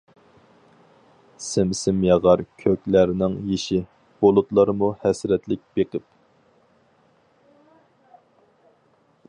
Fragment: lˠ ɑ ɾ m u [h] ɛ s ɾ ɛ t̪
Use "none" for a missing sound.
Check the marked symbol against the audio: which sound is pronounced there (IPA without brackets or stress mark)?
h